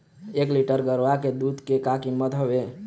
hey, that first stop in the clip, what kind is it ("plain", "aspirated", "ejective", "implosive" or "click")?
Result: plain